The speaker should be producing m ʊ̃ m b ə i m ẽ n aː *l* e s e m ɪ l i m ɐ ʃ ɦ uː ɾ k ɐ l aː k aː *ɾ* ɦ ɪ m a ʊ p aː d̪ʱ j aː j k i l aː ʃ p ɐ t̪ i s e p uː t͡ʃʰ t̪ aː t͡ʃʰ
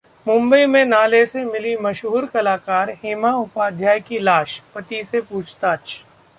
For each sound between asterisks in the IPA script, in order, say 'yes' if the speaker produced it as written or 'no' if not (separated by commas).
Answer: yes, yes